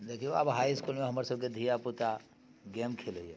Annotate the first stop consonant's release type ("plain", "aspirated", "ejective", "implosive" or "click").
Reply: plain